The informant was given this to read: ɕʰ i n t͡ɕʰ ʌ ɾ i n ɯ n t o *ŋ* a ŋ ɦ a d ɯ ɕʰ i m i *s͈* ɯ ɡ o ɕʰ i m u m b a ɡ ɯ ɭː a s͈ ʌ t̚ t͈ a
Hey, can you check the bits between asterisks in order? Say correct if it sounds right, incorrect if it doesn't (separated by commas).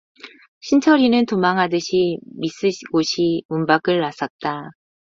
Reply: incorrect, correct